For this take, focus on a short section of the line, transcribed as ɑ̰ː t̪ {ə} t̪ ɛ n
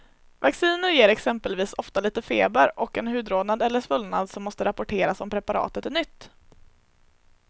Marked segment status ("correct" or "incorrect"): correct